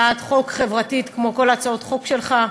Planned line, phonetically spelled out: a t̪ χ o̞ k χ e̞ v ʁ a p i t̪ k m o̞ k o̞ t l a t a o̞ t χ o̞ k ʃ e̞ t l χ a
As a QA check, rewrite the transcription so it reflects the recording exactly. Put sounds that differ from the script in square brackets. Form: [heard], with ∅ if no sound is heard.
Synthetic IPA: a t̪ χ o̞ k χ e̞ v ʁ a [t] i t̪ k m o̞ k o̞ [∅] l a [t͡s] a o̞ t χ o̞ k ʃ e̞ [∅] l χ a